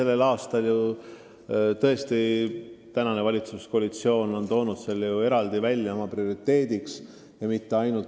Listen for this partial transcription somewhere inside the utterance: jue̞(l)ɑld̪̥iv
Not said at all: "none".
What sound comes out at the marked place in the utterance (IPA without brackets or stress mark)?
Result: ɾ